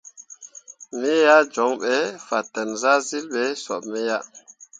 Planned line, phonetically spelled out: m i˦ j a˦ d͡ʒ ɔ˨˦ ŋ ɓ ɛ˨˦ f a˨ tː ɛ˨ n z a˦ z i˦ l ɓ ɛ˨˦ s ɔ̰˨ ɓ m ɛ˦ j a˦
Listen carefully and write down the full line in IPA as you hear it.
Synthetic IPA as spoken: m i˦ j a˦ d͡ʒ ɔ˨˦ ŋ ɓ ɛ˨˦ f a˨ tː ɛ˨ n z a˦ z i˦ l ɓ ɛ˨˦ s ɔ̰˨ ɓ m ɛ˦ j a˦